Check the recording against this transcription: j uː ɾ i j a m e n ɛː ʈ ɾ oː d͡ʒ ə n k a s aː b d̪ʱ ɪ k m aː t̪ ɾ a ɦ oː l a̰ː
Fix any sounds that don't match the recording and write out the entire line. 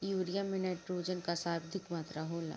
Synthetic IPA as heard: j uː ɾ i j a m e n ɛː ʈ ɾ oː d͡ʒ ə n k a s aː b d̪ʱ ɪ k m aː t̪ ɾ a ɦ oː l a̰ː